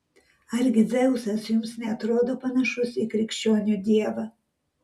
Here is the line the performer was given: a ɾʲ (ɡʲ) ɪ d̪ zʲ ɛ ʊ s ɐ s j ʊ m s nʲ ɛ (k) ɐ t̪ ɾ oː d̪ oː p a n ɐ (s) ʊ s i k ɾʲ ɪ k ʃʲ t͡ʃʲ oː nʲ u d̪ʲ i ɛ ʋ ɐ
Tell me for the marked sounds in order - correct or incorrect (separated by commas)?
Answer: correct, incorrect, incorrect